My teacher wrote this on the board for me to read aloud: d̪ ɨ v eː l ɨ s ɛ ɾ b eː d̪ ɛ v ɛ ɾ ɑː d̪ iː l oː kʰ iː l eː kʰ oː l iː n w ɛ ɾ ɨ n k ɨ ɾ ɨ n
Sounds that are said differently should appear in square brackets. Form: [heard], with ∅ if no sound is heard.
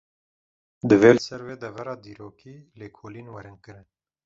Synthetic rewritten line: d̪ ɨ v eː l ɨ s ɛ ɾ [w] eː d̪ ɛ v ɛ ɾ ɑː d̪ iː [ɾ] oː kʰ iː l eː kʰ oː l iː n w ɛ ɾ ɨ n k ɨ ɾ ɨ n